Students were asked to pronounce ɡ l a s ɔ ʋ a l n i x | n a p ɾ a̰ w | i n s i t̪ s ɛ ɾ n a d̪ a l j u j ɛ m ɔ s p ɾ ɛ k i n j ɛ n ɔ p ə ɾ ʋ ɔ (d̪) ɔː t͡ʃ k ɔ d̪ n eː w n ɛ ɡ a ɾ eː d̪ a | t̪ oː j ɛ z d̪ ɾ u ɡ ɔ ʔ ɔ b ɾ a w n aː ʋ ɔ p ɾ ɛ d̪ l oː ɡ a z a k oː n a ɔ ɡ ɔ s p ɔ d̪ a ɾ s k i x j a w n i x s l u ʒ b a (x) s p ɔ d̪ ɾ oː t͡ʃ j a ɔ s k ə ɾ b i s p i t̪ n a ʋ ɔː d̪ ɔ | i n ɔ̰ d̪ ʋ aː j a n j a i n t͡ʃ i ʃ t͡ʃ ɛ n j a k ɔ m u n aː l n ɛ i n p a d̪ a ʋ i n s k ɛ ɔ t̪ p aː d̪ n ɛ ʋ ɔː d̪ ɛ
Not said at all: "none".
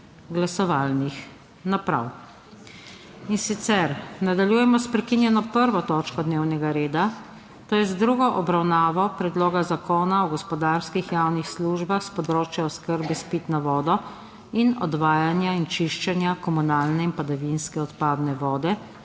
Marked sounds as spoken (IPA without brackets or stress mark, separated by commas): t̪, x